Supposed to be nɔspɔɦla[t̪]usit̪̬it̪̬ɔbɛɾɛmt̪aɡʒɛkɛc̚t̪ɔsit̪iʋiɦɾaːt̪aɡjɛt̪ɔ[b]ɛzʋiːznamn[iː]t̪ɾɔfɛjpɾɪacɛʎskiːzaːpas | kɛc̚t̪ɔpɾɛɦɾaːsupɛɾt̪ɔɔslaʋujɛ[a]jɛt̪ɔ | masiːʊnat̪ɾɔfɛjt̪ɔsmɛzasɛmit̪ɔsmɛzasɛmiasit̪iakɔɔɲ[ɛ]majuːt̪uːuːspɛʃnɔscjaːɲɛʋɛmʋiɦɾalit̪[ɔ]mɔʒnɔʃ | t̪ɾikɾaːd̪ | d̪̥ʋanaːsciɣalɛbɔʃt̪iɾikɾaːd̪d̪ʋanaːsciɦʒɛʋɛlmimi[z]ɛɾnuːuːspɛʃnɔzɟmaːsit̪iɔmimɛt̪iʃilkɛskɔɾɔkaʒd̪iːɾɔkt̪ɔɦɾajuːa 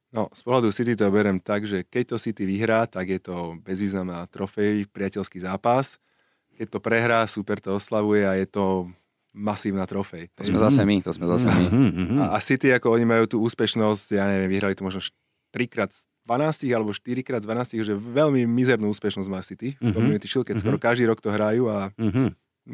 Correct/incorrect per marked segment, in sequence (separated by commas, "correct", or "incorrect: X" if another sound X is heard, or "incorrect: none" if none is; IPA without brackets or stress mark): incorrect: d̪, correct, incorrect: aː, correct, incorrect: i, correct, correct